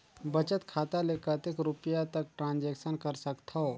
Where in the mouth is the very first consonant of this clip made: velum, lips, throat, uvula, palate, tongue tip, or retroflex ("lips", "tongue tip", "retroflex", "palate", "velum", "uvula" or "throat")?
lips